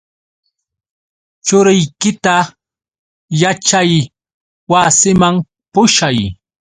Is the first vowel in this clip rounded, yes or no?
yes